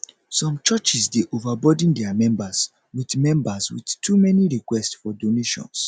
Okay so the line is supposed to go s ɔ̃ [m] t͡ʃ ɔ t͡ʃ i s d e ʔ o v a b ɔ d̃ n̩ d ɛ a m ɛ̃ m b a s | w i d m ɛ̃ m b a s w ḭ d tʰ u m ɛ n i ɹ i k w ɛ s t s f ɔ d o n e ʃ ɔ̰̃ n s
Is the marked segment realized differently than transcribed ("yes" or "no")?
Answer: no